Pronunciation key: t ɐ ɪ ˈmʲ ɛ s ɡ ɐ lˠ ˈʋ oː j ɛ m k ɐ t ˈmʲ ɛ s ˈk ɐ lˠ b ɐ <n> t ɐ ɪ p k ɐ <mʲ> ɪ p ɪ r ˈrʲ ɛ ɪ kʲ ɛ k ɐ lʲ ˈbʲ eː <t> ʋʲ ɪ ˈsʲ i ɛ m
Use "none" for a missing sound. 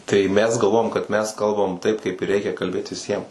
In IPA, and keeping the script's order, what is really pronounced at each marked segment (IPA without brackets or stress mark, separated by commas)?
m, none, t